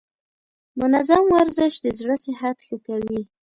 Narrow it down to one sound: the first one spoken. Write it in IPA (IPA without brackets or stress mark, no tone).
m